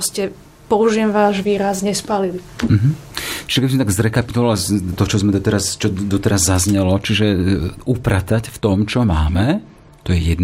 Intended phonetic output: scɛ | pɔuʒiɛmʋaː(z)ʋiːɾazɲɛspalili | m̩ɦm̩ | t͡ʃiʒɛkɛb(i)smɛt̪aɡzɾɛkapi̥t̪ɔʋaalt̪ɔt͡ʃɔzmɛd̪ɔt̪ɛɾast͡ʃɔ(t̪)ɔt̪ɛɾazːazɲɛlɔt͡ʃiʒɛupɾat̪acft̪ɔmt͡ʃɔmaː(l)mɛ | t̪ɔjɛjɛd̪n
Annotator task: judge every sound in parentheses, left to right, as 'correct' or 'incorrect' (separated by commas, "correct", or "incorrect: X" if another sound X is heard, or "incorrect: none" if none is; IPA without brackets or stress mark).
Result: incorrect: ʒ, correct, incorrect: d̪, incorrect: none